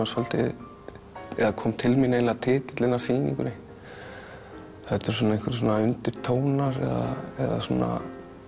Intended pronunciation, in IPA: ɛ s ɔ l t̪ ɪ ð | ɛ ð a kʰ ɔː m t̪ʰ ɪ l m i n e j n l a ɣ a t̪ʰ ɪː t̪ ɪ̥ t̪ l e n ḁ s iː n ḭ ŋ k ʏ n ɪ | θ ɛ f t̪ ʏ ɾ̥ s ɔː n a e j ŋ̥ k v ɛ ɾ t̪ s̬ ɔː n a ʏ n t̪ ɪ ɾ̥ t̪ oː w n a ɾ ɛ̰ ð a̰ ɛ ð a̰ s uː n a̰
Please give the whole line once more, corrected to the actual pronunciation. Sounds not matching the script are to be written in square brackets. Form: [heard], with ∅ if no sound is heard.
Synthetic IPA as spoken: [a] s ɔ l t̪ ɪ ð | ɛ ð a kʰ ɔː m t̪ʰ ɪ l m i n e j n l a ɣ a t̪ʰ ɪː t̪ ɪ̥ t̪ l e n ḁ s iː n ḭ ŋ k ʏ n ɪ | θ ɛ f t̪ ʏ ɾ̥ s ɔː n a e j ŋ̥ k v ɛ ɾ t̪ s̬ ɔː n a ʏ n t̪ ɪ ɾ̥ [t̪ʰ] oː w n a ɾ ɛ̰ ð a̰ ɛ ð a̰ s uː n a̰